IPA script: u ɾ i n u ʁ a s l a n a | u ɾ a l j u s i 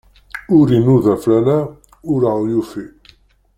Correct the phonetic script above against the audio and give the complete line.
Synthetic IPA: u ɾ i n u ð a f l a n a | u ɾ a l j u f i